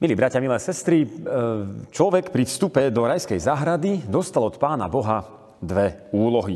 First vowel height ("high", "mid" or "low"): high